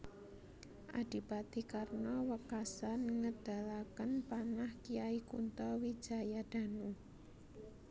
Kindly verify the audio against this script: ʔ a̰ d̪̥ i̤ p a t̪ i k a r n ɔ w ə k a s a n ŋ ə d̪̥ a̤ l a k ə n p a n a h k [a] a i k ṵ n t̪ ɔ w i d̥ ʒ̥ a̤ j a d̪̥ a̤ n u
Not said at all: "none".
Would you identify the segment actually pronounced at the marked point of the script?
i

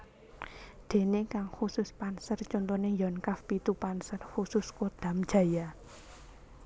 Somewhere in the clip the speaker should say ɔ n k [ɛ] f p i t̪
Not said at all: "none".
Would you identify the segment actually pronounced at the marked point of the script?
a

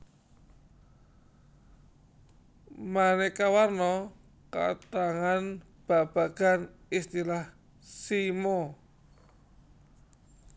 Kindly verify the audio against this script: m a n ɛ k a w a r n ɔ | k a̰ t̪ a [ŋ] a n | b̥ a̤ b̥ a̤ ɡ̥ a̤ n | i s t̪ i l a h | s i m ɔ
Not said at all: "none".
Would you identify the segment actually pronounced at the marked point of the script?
ŋ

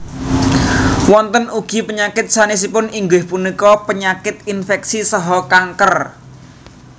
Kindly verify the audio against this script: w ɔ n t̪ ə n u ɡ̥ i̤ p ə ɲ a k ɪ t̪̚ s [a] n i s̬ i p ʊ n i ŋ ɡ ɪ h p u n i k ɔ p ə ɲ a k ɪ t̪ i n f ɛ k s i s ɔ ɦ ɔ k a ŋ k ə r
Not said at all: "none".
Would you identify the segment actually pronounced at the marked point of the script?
a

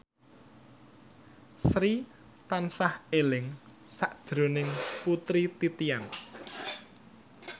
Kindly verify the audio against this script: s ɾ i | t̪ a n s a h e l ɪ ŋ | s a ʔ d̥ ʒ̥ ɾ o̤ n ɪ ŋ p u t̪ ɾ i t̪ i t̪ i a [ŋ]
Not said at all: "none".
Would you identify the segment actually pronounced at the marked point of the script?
n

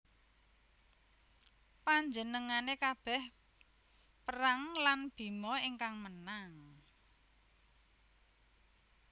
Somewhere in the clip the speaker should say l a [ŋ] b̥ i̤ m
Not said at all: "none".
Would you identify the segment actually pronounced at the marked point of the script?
n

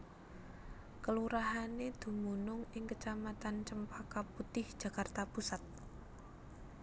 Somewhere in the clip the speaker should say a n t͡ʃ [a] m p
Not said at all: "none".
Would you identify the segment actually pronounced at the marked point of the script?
ə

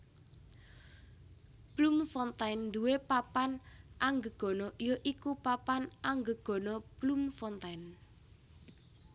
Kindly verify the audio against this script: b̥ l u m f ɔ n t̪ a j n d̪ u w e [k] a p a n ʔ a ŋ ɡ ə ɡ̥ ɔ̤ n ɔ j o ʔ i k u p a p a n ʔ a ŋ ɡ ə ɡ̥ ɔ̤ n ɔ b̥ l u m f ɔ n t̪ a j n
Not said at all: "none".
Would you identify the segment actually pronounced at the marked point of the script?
p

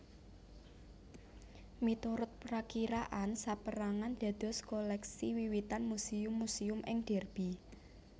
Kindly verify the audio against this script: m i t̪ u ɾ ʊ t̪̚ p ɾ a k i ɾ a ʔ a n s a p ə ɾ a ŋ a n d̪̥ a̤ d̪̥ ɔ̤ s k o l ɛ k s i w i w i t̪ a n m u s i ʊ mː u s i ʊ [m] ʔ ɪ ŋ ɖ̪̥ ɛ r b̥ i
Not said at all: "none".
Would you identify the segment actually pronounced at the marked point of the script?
m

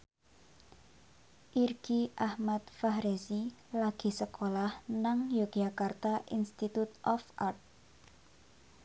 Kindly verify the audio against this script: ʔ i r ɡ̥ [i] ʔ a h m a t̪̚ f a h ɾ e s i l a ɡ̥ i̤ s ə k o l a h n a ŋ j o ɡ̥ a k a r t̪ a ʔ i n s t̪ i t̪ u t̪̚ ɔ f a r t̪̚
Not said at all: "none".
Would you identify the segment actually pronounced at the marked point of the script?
i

